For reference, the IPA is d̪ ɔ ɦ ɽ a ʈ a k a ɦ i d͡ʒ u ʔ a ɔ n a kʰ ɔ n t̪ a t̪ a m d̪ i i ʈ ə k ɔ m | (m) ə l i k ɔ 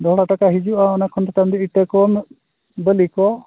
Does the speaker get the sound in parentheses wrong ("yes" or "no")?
yes